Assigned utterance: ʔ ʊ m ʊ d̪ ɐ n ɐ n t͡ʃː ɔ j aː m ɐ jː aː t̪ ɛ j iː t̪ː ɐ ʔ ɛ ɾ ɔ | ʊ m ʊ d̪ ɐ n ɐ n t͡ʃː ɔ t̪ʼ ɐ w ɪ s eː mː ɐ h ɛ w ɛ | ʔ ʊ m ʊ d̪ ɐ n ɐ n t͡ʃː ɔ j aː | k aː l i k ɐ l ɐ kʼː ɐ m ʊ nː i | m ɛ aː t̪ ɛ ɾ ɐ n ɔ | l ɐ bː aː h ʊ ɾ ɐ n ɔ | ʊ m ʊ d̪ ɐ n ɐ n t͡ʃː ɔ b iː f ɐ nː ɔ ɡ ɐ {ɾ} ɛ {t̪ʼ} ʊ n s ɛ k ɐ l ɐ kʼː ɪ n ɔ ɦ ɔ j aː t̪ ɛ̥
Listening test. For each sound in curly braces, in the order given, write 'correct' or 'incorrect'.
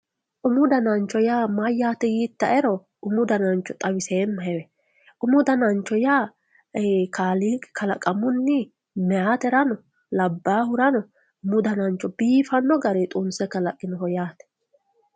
correct, correct

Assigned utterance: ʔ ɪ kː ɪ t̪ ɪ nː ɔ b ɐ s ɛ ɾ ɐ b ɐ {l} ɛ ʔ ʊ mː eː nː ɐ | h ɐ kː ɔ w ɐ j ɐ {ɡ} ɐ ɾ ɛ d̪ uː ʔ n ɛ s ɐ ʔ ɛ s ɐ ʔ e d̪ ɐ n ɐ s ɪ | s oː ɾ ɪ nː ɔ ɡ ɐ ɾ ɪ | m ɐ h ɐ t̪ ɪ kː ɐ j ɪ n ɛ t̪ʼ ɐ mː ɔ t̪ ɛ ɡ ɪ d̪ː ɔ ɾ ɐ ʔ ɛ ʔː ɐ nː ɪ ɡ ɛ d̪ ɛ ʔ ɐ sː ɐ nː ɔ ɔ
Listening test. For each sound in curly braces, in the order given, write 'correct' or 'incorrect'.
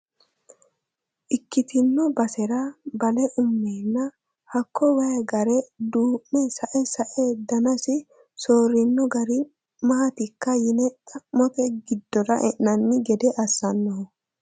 correct, correct

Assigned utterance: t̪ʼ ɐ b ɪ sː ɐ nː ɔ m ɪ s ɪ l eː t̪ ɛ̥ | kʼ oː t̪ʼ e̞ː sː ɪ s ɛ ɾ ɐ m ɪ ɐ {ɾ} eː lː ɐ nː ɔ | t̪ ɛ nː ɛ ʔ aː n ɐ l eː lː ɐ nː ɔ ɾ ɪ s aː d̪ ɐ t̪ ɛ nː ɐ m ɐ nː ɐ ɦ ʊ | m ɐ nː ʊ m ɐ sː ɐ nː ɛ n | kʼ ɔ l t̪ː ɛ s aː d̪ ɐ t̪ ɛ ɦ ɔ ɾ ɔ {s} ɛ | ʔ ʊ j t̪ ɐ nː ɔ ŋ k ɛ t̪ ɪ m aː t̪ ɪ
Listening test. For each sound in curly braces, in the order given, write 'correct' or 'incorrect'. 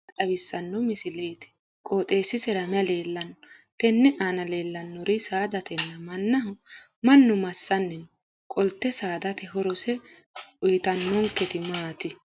incorrect: l, correct

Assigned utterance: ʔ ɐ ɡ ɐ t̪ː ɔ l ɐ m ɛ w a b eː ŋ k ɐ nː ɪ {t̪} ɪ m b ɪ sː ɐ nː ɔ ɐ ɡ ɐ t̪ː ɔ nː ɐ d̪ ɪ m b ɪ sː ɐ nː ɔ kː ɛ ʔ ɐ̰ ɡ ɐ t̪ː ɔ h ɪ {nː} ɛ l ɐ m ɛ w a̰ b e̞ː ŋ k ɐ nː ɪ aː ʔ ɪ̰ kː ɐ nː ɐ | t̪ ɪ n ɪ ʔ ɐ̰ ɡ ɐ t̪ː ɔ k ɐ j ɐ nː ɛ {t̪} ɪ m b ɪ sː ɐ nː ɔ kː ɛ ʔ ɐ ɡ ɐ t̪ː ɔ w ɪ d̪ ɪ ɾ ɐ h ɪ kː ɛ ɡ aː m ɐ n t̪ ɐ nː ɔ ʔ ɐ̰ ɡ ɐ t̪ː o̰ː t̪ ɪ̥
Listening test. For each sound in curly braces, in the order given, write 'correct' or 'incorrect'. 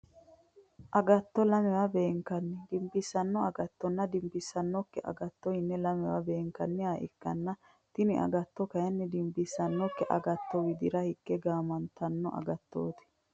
incorrect: d̪, correct, incorrect: d̪

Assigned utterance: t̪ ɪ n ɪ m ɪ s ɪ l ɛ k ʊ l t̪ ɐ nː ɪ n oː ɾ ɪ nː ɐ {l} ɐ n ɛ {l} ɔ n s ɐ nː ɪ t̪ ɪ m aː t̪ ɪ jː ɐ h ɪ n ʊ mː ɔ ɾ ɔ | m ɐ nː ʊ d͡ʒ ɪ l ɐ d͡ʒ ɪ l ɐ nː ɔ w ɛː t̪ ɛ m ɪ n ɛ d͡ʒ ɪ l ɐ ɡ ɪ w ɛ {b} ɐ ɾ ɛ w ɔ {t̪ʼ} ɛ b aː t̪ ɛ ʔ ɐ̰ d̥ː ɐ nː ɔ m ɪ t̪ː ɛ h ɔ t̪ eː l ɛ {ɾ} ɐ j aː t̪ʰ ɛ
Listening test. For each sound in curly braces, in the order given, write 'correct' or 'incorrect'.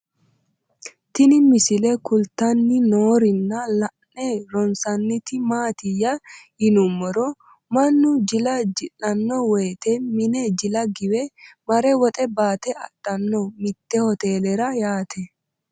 correct, incorrect: ɾ, incorrect: m, correct, correct

